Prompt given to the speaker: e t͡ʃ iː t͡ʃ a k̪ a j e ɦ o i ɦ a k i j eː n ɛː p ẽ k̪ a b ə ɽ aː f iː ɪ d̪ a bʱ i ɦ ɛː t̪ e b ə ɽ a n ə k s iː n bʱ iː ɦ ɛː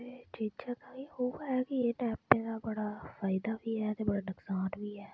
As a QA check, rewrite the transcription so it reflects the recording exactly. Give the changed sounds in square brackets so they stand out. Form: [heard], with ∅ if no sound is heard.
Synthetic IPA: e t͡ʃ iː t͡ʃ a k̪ a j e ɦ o [a] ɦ [ɛ] k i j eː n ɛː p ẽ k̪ a b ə ɽ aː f [aː] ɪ d̪ a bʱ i ɦ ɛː t̪ e b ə ɽ a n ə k s [aː] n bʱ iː ɦ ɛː